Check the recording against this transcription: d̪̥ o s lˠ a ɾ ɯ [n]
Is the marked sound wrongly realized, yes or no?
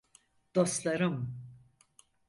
yes